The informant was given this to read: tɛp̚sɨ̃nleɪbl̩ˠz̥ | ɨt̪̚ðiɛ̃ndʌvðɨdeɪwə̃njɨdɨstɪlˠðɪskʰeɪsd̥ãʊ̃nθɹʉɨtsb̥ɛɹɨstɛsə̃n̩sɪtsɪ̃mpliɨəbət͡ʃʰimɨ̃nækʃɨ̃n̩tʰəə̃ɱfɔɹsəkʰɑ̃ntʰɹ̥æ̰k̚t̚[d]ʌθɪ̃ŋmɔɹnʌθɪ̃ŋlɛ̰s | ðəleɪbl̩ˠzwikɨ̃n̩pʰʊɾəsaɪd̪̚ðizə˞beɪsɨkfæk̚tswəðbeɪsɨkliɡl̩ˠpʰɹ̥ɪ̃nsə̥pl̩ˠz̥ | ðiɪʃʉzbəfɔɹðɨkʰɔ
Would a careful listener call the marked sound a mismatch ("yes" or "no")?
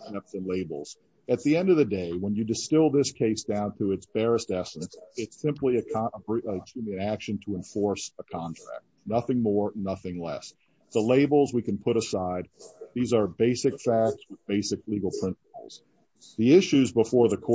yes